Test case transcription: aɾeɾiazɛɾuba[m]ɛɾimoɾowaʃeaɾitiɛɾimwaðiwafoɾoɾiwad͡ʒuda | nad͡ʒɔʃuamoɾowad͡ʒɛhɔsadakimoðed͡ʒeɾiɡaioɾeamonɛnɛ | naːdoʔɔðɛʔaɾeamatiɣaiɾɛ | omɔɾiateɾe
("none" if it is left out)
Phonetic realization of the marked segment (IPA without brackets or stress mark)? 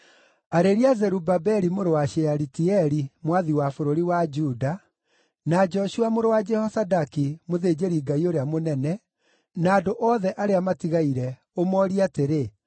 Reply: b